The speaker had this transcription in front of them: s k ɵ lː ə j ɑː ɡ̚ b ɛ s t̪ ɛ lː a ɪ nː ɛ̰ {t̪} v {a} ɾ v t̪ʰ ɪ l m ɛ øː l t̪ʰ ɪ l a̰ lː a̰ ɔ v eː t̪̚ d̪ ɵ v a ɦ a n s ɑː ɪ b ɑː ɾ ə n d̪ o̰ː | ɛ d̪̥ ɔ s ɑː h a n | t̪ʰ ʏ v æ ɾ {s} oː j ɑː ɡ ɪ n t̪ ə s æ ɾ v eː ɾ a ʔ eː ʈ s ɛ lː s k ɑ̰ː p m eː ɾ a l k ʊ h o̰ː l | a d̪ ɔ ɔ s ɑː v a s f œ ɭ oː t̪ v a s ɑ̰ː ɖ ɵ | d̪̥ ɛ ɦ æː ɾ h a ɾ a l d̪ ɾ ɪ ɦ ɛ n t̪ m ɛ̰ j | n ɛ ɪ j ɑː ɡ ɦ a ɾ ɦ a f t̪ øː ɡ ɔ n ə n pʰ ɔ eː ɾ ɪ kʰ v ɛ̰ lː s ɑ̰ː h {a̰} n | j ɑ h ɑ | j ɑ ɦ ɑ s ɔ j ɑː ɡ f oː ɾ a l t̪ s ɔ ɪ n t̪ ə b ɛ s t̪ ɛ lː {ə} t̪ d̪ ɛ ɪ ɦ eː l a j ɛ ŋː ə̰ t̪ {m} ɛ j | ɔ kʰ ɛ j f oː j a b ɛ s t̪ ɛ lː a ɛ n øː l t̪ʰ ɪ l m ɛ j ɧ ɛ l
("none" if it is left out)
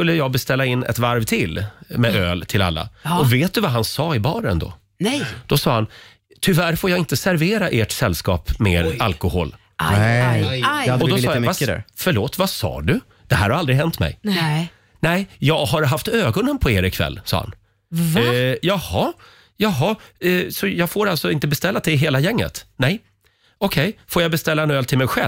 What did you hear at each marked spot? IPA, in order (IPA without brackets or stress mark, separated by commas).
t̪, a, f, a̰, a, n